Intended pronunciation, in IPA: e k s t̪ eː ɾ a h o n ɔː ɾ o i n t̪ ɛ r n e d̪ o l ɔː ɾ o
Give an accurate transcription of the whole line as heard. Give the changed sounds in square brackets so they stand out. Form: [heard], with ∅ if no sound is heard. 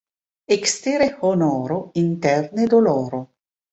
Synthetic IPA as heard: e k s t̪ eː ɾ [e] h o n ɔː ɾ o i n t̪ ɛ r n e d̪ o l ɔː ɾ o

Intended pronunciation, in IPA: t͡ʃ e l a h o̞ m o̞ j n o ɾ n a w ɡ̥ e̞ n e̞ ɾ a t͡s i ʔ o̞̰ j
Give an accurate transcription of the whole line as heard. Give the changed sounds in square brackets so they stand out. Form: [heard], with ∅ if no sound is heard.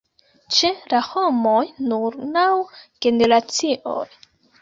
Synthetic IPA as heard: t͡ʃ e l a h o̞ m o̞ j n [u] ɾ n a w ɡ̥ e̞ n e̞ ɾ a t͡s i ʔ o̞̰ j

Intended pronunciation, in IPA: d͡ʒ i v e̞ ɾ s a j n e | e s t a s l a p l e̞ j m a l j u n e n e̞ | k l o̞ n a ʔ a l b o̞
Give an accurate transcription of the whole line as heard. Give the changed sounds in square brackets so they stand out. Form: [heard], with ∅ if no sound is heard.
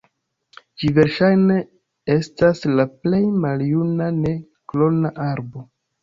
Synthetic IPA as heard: d͡ʒ i v e̞ ɾ [ʃ] a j n e | e s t a s l a p l e̞ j m a l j u n [a] n e̞ | k l o̞ n a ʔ a [ɾ] b o̞

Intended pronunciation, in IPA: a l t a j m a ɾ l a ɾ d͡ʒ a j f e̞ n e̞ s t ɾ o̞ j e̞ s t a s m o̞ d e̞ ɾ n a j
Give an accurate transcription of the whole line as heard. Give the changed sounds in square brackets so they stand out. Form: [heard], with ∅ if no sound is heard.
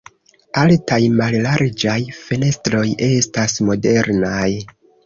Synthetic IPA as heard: a l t a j m a [l] l a ɾ d͡ʒ a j f e̞ n e̞ s t ɾ o̞ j e̞ s t a s m o̞ d e̞ ɾ n a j

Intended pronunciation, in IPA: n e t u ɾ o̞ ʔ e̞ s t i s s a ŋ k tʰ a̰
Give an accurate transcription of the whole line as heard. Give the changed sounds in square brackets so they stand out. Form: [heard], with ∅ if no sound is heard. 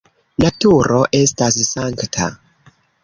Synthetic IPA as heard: n [a] t u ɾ o̞ ʔ e̞ s t [a] s s a ŋ k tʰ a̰

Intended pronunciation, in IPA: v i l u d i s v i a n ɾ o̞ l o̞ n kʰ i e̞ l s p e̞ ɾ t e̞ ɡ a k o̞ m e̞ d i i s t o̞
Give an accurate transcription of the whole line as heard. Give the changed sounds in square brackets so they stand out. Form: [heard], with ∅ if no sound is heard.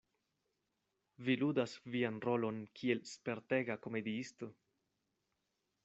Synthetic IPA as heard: v i l u d [a] s v i a n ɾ o̞ l o̞ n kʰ i e̞ l s p e̞ ɾ t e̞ ɡ a k o̞ m e̞ d i i s t o̞

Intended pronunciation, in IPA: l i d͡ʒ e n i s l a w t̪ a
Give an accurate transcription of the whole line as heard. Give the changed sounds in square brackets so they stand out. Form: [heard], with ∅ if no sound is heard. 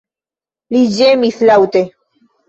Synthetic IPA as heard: l i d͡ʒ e [m] i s l a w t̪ [e]

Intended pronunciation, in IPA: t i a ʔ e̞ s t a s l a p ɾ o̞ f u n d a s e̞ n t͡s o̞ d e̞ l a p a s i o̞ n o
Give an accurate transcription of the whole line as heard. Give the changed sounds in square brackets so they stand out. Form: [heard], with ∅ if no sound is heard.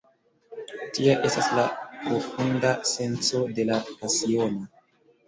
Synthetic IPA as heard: t i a ʔ e̞ s t a s l a p ɾ o̞ f u n d a s e̞ n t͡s o̞ d e̞ l a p a s i o̞ n o

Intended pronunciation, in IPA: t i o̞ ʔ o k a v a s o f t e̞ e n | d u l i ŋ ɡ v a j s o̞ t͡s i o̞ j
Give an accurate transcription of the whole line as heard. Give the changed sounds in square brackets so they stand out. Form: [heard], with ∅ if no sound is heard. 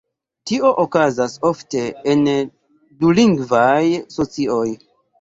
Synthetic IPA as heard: t i o̞ ʔ o k a [z] a s o f t e̞ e n | d u l i ŋ ɡ v a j s o̞ t͡s i o̞ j

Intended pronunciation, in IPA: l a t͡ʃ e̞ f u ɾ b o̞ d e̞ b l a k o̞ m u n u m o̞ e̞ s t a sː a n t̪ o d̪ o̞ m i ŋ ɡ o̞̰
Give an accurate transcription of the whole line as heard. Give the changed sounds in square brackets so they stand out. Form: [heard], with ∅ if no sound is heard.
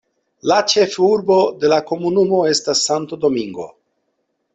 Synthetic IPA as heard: l a t͡ʃ e̞ f u ɾ b o̞ d e̞ [∅] l a k o̞ m u n u m o̞ e̞ s t a sː a n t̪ o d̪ o̞ m i ŋ ɡ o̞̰

